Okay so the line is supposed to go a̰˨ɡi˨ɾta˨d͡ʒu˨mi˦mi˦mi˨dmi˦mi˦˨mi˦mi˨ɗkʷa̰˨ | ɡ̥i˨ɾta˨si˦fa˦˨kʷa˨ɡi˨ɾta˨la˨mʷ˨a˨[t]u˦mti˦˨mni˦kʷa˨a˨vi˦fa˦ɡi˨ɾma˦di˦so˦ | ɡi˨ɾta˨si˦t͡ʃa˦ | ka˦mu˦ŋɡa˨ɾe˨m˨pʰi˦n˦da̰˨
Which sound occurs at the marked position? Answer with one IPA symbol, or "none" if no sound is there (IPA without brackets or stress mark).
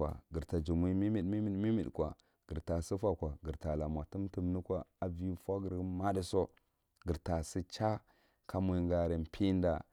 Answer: t